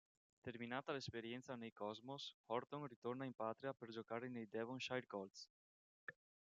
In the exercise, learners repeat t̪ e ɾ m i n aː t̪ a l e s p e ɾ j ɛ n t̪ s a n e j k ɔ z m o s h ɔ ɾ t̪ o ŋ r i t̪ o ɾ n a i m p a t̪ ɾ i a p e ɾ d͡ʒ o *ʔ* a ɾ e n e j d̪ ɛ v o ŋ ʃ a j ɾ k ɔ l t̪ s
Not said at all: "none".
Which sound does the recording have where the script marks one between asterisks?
k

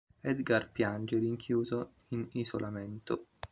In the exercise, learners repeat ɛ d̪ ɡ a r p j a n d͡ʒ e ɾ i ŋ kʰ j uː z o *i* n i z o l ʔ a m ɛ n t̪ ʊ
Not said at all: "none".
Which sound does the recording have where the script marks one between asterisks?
i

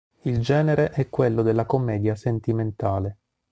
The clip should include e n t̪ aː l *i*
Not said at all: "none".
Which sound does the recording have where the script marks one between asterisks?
e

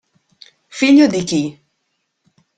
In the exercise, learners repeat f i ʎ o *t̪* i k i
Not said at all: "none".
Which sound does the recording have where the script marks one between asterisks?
d̪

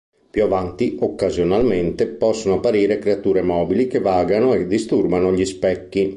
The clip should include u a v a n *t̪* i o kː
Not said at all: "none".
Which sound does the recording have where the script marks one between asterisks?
t̪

